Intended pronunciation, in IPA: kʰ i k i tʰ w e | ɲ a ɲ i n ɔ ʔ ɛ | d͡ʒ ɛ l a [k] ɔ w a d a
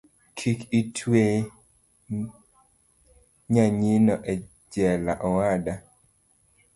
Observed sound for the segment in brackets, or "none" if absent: ʔ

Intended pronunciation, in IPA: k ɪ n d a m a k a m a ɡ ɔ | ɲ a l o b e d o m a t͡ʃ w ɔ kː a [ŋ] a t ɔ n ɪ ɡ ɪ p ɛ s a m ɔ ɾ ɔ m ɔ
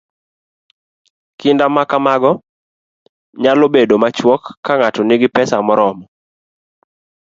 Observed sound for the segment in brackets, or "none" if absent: ŋ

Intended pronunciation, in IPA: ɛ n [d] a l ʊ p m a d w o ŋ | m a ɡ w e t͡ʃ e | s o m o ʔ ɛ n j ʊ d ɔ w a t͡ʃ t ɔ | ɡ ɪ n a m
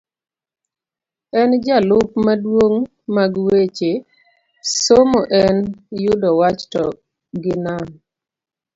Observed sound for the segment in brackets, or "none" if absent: d͡ʒ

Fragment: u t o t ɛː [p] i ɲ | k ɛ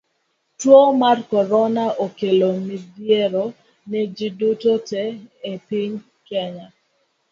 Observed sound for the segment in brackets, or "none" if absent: p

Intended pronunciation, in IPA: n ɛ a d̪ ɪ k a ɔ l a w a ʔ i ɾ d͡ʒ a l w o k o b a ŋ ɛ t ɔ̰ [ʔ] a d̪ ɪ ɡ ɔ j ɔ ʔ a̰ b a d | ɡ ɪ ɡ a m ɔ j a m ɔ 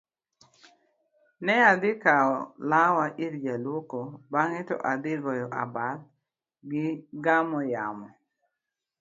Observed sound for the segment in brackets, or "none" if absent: ʔ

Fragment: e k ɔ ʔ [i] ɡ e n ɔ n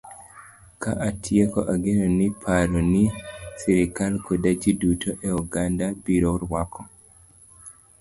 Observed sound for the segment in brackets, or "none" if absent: a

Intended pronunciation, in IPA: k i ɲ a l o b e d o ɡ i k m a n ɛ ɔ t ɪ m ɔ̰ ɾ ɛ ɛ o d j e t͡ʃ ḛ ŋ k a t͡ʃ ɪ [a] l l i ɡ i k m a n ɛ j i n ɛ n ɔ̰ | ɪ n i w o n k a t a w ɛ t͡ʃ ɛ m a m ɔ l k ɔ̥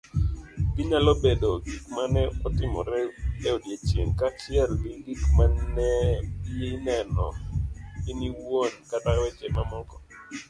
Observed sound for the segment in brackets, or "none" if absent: ɛ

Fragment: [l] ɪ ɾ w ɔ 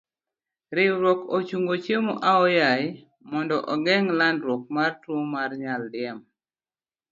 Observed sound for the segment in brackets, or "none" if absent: ɾ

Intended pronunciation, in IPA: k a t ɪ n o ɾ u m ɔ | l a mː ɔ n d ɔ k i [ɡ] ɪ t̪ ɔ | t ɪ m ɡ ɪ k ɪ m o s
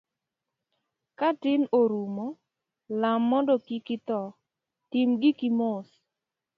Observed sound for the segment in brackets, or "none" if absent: k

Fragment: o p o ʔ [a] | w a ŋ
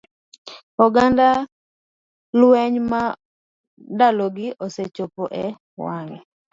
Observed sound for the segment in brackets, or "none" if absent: ɛ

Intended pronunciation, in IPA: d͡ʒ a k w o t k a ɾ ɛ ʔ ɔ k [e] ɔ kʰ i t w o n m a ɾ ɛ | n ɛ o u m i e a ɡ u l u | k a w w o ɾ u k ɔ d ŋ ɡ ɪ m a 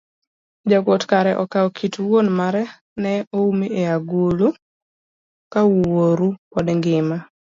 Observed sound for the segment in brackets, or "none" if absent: a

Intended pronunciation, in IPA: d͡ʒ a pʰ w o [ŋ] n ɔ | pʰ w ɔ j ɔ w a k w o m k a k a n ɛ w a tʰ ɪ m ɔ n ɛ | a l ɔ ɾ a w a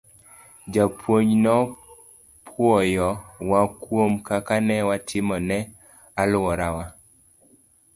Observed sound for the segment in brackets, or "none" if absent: ɲ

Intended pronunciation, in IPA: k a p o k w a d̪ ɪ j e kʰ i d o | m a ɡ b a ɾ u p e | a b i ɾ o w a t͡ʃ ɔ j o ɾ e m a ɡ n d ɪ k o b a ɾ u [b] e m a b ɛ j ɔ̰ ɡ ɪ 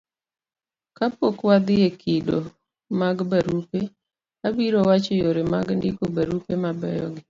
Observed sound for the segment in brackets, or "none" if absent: p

